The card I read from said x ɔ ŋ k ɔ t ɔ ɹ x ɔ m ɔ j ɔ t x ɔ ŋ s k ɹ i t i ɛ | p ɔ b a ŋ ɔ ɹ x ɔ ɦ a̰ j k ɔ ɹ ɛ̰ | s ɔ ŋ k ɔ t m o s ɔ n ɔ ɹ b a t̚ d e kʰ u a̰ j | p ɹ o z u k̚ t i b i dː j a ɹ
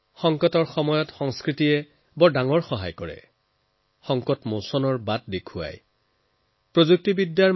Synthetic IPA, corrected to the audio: x ɔ ŋ k ɔ t ɔ ɹ x ɔ m ɔ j ɔ t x ɔ ŋ s k ɹ i t i ɛ | b ɔ d a ŋ ɔ ɹ x ɔ ɦ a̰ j k ɔ ɹ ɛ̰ | x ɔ ŋ k ɔ t m o s ɔ n ɔ ɹ b a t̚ d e kʰ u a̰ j | p ɹ o z u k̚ t i b i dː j a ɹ

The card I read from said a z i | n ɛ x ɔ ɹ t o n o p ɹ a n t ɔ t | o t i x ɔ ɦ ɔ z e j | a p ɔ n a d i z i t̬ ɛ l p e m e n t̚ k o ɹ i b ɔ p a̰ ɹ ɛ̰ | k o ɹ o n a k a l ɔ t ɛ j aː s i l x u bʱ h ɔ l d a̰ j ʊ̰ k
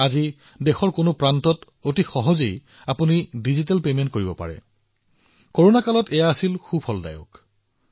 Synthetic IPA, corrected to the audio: a z i | d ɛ x ɔ ɹ k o n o p ɹ a n t ɔ t | o t i x ɔ ɦ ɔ z e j | a p u n i d i z i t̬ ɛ l p e m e n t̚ k o ɹ i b ɔ p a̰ ɹ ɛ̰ | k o ɹ o n a k a l ɔ t ɛ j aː s i l x u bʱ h ɔ l d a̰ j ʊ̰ k

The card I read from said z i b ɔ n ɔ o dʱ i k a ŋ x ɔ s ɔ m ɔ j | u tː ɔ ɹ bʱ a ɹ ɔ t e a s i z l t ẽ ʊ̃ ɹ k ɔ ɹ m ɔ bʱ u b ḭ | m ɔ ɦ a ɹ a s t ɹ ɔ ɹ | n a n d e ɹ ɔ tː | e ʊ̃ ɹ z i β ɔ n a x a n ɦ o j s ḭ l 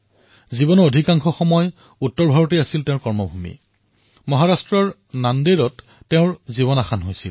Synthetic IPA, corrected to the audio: z i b ɔ n ɔ o dʱ i k a ŋ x ɔ x ɔ m ɔ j | u tː ɔ ɹ bʱ a ɹ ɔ t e a s i l t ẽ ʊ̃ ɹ k ɔ ɹ m ɔ bʱ u m ḭ | m ɔ ɦ a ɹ a s t ɹ ɔ ɹ | n a n d e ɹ ɔ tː | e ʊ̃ ɹ z i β ɔ n a x a n ɦ o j s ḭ l

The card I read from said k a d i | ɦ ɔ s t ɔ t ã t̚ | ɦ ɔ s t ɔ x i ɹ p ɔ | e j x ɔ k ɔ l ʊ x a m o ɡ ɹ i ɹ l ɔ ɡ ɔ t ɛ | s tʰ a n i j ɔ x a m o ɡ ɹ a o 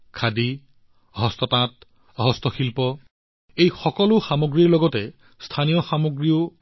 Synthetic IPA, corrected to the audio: kʰ a d i | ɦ ɔ s t ɔ t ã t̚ | ɦ ɔ s t ɔ x i l p ɔ | e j x ɔ k ɔ l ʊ x a m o ɡ ɹ i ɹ l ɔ ɡ ɔ t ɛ | s tʰ a n i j ɔ x a m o ɡ ɹ i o

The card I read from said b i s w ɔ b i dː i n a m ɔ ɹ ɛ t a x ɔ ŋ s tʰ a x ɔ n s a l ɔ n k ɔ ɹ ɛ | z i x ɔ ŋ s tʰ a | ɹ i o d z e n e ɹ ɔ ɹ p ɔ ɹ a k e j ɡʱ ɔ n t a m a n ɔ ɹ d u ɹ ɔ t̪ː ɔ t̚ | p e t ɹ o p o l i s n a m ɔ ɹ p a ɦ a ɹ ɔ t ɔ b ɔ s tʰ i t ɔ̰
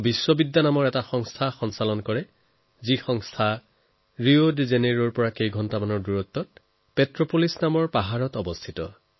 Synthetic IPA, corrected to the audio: b i s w ɔ b i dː a n a m ɔ ɹ ɛ t a x ɔ ŋ s tʰ a x ɔ n s a l ɔ n k ɔ ɹ ɛ | z i x ɔ ŋ s tʰ a | ɹ i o d z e n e ɹ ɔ ɹ p ɔ ɹ a k e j ɡʱ ɔ n t a m a n ɔ ɹ d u ɹ ɔ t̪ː ɔ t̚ | p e t ɹ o p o l i s n a m ɔ ɹ p a ɦ a ɹ ɔ t ɔ b ɔ s tʰ i t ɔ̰

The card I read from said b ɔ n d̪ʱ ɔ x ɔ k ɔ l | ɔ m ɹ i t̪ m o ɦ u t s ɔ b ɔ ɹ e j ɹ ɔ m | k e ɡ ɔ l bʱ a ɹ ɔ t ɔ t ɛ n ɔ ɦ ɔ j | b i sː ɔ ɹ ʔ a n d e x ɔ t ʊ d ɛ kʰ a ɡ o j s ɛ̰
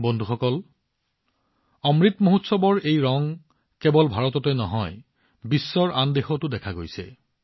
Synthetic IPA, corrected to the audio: b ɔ n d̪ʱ u x ɔ k ɔ l | ɔ m ɹ i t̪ m o ɦ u t s ɔ b ɔ ɹ e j ɹ ɔ ŋ | k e b ɔ l bʱ a ɹ ɔ t ɔ t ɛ n ɔ ɦ ɔ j | b i sː ɔ ɹ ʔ a n d e x ɔ t ʊ d ɛ kʰ a ɡ o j s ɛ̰

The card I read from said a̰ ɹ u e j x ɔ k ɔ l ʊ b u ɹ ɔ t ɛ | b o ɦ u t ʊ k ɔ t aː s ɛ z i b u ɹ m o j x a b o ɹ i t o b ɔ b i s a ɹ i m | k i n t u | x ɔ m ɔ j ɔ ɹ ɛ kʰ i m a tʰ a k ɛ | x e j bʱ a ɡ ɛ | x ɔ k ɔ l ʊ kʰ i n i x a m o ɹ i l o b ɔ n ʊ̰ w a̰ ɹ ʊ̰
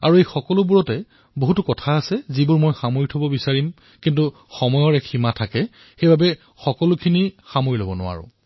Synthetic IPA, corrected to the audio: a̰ ɹ u e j x ɔ k ɔ l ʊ b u ɹ ɔ t ɛ | b o ɦ u t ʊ k ɔ tʰ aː s ɛ z i b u ɹ m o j x a m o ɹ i tʰ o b ɔ b i s a ɹ i m | k i n t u | x ɔ m ɔ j ɔ ɹ ɛ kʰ i m a tʰ a k ɛ | x e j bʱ a b ɛ | x ɔ k ɔ l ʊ kʰ i n i x a m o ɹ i l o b ɔ n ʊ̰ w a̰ ɹ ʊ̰

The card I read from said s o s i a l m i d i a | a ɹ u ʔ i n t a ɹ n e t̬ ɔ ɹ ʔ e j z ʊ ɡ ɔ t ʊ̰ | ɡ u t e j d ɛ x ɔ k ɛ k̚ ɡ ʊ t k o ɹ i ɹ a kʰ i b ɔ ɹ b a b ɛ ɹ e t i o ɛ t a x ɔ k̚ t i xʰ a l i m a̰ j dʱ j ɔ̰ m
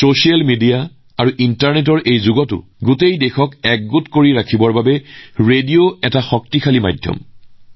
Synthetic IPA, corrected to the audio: s o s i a l m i d i a | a ɹ u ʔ i n t a ɹ n e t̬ ɔ ɹ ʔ e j z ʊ ɡ ɔ t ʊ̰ | ɡ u t e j d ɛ x ɔ k ɛ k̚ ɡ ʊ t k o ɹ i ɹ a kʰ i b ɔ ɹ b a b ɛ ɹ e d i o ɛ t a x ɔ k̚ t i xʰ a l i m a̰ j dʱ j ɔ̰ m

